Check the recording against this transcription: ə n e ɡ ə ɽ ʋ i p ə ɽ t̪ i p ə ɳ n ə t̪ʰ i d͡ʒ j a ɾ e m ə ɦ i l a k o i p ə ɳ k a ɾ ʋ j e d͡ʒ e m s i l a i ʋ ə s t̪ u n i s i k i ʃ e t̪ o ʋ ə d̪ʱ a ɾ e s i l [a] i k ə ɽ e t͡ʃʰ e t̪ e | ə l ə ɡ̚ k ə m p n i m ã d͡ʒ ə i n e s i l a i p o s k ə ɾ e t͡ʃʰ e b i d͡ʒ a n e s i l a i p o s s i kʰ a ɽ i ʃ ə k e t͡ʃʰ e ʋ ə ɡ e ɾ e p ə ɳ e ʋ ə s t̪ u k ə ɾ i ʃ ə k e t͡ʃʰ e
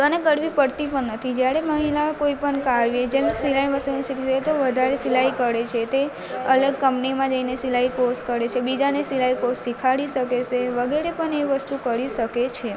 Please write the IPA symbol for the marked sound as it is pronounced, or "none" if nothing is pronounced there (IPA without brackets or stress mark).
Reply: a